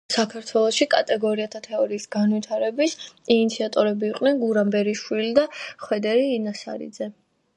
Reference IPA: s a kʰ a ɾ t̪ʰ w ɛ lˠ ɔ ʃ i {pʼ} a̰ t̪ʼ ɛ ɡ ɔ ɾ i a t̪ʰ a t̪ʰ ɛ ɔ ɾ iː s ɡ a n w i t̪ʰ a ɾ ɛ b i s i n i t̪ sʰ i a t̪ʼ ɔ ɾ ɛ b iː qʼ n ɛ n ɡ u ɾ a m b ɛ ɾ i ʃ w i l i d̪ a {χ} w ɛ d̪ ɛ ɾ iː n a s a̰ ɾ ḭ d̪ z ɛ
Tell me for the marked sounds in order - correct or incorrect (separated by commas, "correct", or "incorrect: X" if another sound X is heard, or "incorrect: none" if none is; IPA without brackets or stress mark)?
incorrect: kʼ, correct